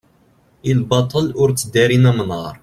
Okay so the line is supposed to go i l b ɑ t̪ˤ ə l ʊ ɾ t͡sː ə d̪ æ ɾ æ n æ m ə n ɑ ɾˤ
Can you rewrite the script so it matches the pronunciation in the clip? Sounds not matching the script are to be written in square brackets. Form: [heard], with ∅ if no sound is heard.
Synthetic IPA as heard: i l b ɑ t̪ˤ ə l ʊ ɾ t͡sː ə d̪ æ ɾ [i] n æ m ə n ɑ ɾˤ